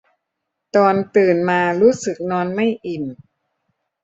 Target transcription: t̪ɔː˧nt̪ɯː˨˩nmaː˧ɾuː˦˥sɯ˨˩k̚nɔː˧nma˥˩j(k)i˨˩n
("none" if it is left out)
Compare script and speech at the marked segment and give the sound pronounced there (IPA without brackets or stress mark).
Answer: ʔ